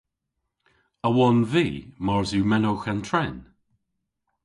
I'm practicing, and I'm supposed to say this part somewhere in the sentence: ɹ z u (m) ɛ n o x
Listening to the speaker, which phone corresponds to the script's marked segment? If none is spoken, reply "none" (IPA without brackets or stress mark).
m